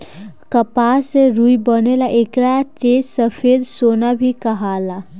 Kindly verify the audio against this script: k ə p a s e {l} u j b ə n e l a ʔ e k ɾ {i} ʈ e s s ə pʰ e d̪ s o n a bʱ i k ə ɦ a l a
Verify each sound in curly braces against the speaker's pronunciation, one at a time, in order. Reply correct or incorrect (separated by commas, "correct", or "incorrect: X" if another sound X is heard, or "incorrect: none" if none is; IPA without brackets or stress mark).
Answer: incorrect: ɾ, incorrect: a